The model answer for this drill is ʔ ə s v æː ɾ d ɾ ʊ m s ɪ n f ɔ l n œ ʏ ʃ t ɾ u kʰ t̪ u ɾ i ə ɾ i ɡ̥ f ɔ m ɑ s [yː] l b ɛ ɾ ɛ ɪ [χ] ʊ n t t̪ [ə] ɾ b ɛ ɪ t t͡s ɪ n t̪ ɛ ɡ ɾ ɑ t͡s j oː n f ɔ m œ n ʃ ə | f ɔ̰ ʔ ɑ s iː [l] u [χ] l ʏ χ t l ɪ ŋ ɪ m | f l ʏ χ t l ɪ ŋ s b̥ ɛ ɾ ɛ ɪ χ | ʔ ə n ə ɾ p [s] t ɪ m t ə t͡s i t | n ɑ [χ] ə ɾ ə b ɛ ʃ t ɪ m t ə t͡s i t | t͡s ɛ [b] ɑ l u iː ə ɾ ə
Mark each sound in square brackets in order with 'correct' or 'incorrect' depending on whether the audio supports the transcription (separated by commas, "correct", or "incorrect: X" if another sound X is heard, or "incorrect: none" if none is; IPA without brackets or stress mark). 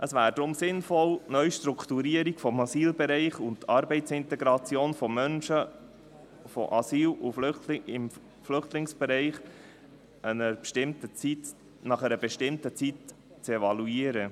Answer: incorrect: iː, correct, incorrect: ɑ, correct, incorrect: f, incorrect: ʃ, correct, incorrect: v